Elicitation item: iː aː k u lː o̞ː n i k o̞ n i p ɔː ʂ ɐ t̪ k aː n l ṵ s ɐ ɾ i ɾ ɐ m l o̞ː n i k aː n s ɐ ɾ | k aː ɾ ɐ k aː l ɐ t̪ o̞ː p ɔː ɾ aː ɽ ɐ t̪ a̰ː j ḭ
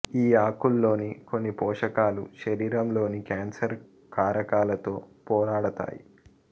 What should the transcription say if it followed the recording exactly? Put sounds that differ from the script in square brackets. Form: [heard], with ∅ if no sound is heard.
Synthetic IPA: iː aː k u lː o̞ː n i k o̞ [nː] i p ɔː ʂ ɐ [∅] k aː [∅] l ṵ [ʃ] ɐ ɾ [iː] ɾ ɐ m l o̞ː n i k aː n s ɐ ɾ | k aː ɾ ɐ k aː l ɐ t̪ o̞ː p ɔː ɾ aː ɽ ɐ t̪ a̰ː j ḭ